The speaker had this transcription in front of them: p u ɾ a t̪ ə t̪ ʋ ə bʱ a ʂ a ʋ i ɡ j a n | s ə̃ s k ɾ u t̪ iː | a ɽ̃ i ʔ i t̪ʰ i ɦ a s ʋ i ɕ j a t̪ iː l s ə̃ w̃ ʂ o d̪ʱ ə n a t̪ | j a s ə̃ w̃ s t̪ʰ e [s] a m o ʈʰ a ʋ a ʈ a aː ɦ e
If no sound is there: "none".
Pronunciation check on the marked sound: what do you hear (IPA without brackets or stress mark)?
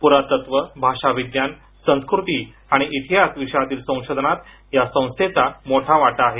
t͡s